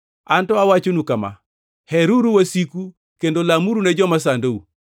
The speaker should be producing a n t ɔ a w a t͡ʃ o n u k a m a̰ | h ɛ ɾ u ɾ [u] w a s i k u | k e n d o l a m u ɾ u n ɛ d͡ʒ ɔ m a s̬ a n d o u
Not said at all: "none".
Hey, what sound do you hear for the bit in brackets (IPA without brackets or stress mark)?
u